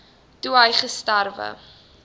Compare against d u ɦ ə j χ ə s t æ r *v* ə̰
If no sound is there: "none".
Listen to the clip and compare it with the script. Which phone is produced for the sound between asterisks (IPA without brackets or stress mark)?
v